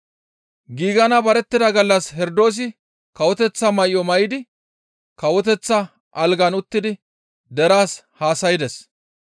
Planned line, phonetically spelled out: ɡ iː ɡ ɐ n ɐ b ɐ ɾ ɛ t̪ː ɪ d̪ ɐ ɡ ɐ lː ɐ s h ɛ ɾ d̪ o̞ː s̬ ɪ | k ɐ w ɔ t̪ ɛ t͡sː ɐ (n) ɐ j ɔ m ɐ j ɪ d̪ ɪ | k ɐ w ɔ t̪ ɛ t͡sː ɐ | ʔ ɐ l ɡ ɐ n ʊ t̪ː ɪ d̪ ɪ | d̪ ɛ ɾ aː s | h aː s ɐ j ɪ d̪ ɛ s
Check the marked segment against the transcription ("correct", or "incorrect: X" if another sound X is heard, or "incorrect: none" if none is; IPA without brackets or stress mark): incorrect: m